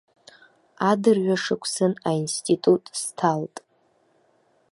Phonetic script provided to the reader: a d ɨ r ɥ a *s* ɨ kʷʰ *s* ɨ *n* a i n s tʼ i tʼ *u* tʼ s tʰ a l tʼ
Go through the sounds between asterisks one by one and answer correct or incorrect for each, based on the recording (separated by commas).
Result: incorrect, correct, correct, correct